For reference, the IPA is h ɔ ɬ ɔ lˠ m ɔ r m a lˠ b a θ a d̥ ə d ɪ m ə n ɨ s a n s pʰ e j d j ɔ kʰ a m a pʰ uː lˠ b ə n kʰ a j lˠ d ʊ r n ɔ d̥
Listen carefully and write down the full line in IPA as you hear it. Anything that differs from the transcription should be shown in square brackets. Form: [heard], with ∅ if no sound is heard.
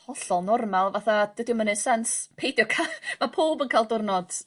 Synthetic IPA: h ɔ ɬ ɔ lˠ [n] ɔ r m a lˠ [v] a θ a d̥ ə d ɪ m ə n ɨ s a n s pʰ e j d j ɔ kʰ a m a pʰ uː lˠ b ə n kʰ a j lˠ d ʊ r n ɔ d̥